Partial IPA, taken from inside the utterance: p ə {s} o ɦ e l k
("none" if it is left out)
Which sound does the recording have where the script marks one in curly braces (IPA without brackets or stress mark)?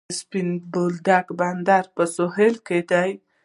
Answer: s